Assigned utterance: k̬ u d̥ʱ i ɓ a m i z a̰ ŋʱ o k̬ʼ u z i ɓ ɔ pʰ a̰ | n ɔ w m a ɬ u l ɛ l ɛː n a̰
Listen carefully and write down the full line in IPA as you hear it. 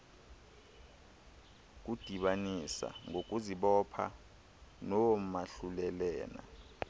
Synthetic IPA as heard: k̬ u d̥ʱ i ɓ a n i s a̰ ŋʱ o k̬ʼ u z i ɓ ɔ pʰ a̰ | n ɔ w m a ɬ u l ɛ l ɛː n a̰